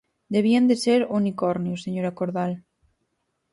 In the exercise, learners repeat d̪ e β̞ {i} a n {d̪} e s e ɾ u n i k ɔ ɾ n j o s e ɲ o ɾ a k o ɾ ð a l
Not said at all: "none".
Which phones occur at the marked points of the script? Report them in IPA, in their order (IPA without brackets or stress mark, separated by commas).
i, d̪